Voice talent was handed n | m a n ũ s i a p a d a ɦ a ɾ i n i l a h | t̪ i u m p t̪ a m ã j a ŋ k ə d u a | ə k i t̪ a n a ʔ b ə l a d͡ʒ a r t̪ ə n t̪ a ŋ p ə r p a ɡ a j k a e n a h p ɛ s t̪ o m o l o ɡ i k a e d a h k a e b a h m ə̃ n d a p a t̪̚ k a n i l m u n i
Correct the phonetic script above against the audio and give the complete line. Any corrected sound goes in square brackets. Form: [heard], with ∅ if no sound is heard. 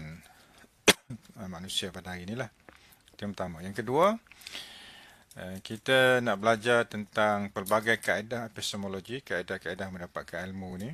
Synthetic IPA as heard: n | m a n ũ s i a p a d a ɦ a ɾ i n i l a h | t̪ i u m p t̪ a m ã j a ŋ k ə d u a | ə k i t̪ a n a ʔ b ə l a d͡ʒ a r t̪ ə n t̪ a ŋ p ə r [b] a ɡ a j k a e [d] a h p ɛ s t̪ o m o l o ɡ i k a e d a h k a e [d] a h m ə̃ n d a p a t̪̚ k a n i l m u n i